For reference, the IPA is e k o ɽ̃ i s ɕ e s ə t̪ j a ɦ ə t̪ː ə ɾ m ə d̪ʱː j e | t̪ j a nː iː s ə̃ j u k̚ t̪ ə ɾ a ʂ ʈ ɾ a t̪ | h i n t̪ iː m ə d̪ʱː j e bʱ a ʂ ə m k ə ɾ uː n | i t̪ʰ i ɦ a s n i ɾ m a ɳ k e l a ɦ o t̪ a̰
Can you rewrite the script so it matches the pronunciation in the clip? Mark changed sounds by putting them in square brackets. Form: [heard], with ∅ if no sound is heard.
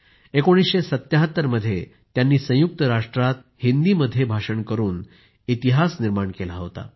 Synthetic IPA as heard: e k o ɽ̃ i s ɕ e s ə t̪ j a ɦ ə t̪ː ə ɾ m ə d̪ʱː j e | t̪ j a nː iː s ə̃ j u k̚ t̪ ə ɾ a ʂ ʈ ɾ a t̪ | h i n [d̪] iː m ə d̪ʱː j e bʱ a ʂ ə [ɳ] k ə ɾ uː n | i [t̪] i ɦ a s n i ɾ m a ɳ k e l a ɦ o t̪ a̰